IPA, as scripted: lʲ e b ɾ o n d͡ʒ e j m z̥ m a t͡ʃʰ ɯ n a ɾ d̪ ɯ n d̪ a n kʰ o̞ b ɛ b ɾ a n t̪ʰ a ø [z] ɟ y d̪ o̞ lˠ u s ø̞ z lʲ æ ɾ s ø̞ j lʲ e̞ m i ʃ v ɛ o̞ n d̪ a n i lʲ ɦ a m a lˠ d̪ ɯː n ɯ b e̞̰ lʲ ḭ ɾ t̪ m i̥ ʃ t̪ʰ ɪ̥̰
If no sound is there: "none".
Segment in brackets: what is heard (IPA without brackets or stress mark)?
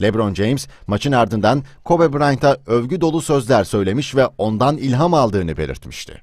v